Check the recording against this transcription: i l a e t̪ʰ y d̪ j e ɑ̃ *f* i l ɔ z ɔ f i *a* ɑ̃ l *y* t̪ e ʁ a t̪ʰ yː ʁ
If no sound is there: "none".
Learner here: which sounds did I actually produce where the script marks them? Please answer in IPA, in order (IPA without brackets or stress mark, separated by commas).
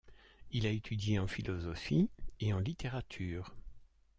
f, e, i